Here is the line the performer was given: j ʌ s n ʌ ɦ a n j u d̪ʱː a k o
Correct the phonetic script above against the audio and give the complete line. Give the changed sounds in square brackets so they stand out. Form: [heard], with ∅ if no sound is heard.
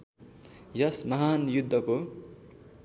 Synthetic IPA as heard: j ʌ s [m] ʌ ɦ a n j u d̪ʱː [ʌ] k o